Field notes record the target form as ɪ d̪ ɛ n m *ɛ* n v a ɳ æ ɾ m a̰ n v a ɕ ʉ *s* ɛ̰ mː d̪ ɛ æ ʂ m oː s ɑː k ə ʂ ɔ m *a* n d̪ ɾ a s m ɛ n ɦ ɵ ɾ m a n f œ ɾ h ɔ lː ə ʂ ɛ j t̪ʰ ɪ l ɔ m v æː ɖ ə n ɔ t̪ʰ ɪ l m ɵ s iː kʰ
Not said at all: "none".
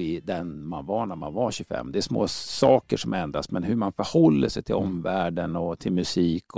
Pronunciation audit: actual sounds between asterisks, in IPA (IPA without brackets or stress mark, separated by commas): a, f, ɛ